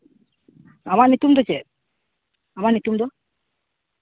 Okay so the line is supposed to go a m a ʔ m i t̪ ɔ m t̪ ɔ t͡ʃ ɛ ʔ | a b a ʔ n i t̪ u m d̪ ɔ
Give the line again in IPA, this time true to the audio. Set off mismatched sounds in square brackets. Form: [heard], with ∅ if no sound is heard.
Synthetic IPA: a m a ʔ [n] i t̪ [u] m [d̪] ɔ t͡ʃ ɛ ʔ | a [m] a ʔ n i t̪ u m d̪ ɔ